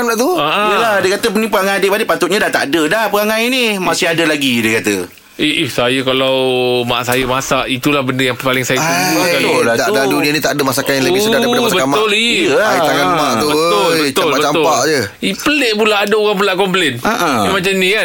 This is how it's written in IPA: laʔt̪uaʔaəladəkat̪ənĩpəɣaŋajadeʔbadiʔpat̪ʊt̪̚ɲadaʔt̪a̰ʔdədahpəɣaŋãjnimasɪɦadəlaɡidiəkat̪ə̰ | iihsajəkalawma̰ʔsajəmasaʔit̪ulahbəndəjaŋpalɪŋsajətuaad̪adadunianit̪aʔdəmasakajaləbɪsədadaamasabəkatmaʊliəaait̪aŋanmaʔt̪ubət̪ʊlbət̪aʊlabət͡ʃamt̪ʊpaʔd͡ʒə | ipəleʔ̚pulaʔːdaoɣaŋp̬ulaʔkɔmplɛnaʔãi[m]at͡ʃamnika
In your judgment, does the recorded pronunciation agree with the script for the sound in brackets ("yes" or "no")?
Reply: yes